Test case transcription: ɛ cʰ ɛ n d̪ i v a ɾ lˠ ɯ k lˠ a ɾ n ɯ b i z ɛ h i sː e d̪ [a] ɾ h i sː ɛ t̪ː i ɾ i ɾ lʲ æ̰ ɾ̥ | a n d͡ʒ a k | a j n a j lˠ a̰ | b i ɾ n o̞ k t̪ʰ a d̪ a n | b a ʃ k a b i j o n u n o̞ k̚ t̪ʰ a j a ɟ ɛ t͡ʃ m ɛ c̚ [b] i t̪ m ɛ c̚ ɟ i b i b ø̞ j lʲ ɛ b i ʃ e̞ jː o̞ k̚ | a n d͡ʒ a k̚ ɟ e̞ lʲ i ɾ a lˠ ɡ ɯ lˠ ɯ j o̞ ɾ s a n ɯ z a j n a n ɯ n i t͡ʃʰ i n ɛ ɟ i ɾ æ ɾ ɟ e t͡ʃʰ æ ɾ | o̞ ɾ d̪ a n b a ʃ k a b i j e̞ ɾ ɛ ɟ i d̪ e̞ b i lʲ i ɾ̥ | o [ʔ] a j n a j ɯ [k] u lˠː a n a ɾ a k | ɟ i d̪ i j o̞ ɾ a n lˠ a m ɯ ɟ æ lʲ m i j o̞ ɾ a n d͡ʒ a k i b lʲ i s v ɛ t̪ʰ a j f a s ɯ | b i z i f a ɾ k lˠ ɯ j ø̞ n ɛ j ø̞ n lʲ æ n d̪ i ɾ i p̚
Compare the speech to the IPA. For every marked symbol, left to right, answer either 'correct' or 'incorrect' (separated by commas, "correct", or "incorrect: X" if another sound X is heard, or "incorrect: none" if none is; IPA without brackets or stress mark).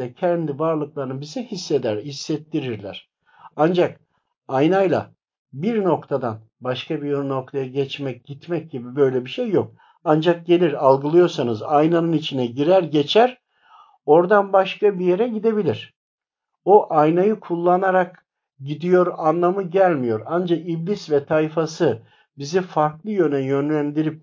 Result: incorrect: æ, incorrect: ɟ, correct, incorrect: kʰ